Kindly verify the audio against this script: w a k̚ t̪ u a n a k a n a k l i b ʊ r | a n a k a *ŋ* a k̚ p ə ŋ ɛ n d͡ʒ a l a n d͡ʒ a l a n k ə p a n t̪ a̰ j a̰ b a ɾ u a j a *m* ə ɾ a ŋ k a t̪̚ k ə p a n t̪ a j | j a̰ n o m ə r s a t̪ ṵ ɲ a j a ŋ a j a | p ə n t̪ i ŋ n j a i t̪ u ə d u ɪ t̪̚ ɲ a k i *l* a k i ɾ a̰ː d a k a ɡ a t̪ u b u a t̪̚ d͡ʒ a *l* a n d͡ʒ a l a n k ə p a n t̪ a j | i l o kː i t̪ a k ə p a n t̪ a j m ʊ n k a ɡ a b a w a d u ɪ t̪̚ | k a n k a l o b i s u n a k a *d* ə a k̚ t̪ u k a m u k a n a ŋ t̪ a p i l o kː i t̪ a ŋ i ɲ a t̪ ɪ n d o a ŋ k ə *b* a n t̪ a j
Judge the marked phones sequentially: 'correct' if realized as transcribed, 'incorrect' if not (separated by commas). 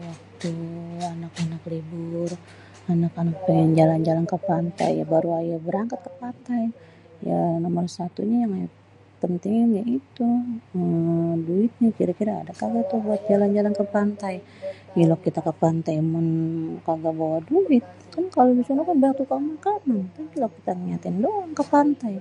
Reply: incorrect, incorrect, incorrect, correct, incorrect, incorrect